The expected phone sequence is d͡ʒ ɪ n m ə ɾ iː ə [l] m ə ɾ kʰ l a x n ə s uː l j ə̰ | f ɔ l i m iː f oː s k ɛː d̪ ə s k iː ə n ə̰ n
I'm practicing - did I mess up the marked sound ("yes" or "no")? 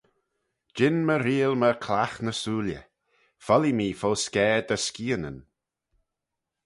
no